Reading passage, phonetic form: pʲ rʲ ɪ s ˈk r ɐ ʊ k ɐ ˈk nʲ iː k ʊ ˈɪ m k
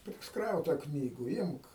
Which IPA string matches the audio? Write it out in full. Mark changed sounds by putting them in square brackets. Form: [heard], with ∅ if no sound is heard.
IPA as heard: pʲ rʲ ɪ s ˈk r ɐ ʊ [t] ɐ ˈk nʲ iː [ɡ] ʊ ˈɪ m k